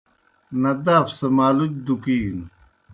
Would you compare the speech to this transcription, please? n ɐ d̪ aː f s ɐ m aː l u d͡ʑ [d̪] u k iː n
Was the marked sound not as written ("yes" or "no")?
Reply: no